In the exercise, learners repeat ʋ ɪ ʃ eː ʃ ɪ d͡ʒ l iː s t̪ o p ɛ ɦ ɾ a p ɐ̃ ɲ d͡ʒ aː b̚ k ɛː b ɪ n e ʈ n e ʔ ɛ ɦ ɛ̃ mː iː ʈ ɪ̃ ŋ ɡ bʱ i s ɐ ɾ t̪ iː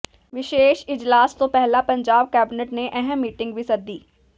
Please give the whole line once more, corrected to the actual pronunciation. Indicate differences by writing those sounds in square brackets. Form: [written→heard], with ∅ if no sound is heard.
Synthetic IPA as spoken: ʋ ɪ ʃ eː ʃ ɪ d͡ʒ l [iː→aː] s t̪ o p ɛ ɦ [ɾ→l] a p ɐ̃ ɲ d͡ʒ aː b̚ k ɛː b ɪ n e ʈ n e ʔ ɛ ɦ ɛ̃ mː iː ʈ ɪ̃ ŋ ɡ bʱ i s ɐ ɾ [t̪→d̪] iː